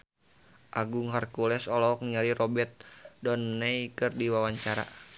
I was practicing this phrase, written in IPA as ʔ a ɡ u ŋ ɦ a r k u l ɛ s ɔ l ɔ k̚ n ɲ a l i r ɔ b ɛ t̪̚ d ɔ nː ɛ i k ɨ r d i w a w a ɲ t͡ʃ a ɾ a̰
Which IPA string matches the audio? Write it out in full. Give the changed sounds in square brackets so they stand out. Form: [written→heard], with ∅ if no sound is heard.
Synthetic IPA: ʔ a ɡ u ŋ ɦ a r k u l ɛ s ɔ l ɔ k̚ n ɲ a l i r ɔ b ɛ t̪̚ d ɔ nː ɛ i k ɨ r d i w a w a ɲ t͡ʃ a ɾ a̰

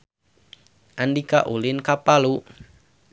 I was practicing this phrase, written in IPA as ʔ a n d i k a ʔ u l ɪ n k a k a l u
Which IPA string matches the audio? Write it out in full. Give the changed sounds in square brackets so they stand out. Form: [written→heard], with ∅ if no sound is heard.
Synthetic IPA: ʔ a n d i k a ʔ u l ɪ n k a [k→p] a l u

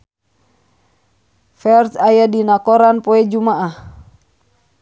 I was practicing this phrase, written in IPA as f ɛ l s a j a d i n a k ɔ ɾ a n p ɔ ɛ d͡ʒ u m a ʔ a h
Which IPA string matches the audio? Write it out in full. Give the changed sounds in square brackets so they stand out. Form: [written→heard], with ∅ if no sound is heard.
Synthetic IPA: f ɛ [l→r] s a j a d i n a k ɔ ɾ a n p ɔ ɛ d͡ʒ u m a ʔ a h

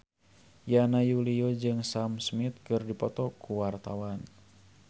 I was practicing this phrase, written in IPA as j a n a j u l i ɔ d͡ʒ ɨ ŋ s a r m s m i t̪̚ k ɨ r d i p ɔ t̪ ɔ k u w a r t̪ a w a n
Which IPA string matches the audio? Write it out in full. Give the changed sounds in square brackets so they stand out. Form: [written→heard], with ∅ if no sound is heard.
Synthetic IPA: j a n a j u l i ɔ d͡ʒ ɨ ŋ s a [r→∅] m s m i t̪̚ k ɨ r d i p ɔ t̪ ɔ k u w a r t̪ a w a n

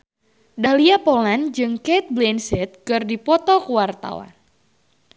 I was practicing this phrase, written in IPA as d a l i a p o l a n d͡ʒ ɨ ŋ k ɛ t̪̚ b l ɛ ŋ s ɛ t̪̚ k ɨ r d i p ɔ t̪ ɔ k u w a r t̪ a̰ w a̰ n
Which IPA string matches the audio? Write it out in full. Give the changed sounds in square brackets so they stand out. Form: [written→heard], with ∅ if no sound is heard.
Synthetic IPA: d a l i a p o l a n d͡ʒ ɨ ŋ k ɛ t̪̚ b l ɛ [ŋ→n] s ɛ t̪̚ k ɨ r d i p ɔ t̪ ɔ k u w a r t̪ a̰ w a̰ n

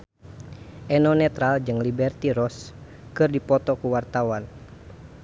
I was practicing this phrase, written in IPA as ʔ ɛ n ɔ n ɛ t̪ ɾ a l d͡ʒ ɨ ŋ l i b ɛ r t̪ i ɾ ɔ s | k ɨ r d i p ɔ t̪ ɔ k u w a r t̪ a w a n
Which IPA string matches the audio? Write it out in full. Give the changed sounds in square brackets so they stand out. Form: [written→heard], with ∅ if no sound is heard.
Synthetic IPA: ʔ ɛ n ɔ n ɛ t̪ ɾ a l d͡ʒ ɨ ŋ l i b ɛ r t̪ i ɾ ɔ s | k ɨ r d i p ɔ t̪ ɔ k u w a r t̪ a w a n

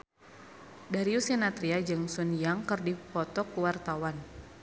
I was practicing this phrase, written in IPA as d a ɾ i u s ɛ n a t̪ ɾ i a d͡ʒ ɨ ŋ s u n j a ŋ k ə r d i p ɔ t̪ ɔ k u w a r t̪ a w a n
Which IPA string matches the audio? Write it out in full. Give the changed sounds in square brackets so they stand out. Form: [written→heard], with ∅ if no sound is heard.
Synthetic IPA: d a ɾ i u s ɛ n a t̪ ɾ i a d͡ʒ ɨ ŋ s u n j a ŋ k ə r d i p ɔ t̪ ɔ k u w a r t̪ a w a n

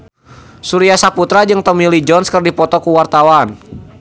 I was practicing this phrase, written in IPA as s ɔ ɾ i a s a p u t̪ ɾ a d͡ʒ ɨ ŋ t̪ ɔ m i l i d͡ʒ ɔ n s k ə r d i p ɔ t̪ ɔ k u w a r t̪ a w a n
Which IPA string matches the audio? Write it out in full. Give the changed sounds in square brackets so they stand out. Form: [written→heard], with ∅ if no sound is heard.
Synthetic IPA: s [ɔ→u] ɾ i a s a p u t̪ ɾ a d͡ʒ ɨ ŋ t̪ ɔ m i l i d͡ʒ ɔ n s k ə r d i p ɔ t̪ ɔ k u w a r t̪ a w a n

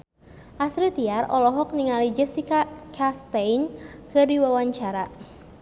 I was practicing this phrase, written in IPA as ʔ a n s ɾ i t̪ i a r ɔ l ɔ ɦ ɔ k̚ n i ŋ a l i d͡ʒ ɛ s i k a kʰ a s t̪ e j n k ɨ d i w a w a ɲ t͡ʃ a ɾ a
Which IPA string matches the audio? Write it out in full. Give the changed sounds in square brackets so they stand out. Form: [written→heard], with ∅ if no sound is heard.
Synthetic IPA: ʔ a [n→∅] s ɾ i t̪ i a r ɔ l ɔ ɦ ɔ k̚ n i ŋ a l i d͡ʒ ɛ s i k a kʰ a s t̪ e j n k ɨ d i w a w a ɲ t͡ʃ a ɾ a

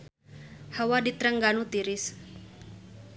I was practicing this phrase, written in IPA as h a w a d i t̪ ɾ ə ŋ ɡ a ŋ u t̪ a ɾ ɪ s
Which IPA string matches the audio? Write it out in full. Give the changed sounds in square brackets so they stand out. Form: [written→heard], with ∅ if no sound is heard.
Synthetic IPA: h a w a d i t̪ ɾ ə ŋ ɡ a [ŋ→n] u t̪ [a→i] ɾ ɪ s

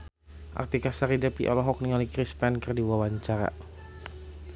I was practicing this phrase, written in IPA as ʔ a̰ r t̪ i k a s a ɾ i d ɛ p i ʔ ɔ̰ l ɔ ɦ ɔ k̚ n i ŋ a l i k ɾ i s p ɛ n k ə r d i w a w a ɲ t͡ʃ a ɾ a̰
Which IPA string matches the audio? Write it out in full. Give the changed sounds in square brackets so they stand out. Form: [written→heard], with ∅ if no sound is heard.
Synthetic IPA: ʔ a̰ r t̪ i k a s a ɾ i d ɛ p i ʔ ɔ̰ l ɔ ɦ ɔ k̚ n i ŋ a l i k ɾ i s p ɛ n k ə r d i w a w a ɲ t͡ʃ a ɾ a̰

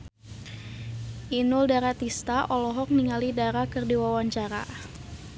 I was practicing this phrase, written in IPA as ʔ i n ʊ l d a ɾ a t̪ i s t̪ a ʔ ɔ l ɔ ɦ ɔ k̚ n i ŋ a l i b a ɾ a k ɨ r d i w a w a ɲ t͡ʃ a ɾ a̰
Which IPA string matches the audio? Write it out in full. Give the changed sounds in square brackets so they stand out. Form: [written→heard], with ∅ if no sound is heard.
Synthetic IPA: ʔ i n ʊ l d a ɾ a t̪ i s t̪ a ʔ ɔ l ɔ ɦ ɔ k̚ n i ŋ a l i [b→d] a ɾ a k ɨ r d i w a w a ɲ t͡ʃ a ɾ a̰

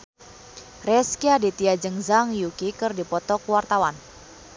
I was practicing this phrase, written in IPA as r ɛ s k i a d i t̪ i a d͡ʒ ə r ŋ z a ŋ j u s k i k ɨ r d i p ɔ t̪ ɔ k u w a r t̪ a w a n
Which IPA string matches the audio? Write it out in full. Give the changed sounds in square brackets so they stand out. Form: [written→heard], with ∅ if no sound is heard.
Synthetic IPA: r ɛ s k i a d i t̪ i a d͡ʒ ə [r→∅] ŋ z a ŋ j u [s→∅] k i k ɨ r d i p ɔ t̪ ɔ k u w a r t̪ a w a n

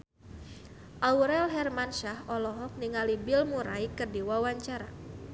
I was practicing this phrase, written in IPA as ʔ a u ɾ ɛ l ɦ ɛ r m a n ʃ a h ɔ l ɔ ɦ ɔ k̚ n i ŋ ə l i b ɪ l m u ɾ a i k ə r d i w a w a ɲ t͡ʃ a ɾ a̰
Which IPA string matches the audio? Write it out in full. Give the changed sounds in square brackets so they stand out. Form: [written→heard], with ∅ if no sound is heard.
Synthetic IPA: ʔ a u ɾ ɛ l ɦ ɛ r m a n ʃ a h ɔ l ɔ ɦ ɔ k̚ n i ŋ [ə→a] l i b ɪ l m u ɾ a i k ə r d i w a w a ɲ t͡ʃ a ɾ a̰

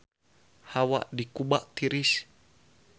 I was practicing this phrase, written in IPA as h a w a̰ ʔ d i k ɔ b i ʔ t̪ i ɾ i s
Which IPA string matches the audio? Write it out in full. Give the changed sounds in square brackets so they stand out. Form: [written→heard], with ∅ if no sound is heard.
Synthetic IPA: h a w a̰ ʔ d i k [ɔ→u] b [i→a] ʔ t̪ i ɾ i s

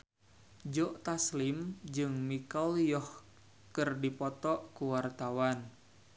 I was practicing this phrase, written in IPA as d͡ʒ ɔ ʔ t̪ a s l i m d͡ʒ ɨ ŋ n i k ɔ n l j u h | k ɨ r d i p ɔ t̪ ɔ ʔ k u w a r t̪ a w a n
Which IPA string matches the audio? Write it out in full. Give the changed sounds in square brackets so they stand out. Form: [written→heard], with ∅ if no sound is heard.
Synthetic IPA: d͡ʒ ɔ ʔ t̪ a s l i m d͡ʒ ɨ ŋ [n→m] i k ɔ [n→∅] l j [u→ɔ] h | k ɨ r d i p ɔ t̪ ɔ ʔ k u w a r t̪ a w a n

